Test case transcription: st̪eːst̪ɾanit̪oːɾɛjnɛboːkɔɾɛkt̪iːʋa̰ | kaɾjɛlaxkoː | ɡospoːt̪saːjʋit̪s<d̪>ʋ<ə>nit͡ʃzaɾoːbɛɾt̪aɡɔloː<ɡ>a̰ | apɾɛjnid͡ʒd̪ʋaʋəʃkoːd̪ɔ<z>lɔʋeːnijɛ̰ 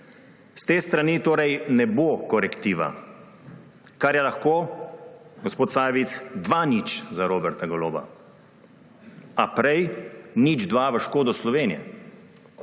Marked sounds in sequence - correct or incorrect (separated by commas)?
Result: correct, incorrect, incorrect, incorrect